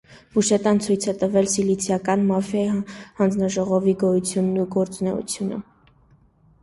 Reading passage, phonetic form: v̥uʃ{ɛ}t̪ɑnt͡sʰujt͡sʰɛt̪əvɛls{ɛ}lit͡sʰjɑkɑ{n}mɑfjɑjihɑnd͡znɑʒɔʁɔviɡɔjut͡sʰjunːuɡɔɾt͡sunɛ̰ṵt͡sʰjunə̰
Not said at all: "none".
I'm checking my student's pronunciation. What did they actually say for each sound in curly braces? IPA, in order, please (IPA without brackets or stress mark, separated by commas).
ɛ, i, n